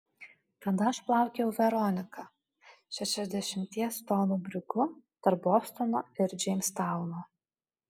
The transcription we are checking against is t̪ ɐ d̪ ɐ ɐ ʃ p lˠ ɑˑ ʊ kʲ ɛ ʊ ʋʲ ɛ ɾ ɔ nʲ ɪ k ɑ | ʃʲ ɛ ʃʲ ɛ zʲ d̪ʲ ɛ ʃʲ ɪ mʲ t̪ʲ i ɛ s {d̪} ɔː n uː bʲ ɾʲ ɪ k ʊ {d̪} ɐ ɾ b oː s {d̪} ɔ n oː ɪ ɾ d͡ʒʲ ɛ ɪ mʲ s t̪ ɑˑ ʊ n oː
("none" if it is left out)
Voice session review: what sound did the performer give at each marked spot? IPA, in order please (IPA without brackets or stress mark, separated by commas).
t̪, t̪, t̪